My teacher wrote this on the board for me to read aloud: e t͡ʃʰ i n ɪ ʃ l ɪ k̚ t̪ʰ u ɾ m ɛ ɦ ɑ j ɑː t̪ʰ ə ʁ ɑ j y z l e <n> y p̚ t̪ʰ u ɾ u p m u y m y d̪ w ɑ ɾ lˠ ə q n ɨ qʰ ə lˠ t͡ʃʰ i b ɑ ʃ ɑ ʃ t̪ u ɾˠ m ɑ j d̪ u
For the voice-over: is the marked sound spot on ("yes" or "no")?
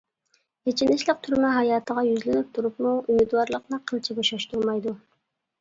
yes